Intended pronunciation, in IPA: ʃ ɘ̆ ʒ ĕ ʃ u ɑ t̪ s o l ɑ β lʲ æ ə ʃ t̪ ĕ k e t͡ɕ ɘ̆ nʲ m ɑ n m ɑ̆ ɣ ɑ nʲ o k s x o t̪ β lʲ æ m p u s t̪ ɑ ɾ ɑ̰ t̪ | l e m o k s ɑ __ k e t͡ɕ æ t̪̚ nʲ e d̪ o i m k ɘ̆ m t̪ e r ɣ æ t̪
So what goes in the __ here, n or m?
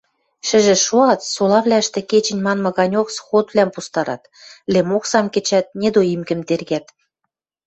m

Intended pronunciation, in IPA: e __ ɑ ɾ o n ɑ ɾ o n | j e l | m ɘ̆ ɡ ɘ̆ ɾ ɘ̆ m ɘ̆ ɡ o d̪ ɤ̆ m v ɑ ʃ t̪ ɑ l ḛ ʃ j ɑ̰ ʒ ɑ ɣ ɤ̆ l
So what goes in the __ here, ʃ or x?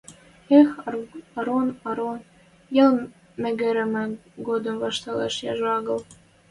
x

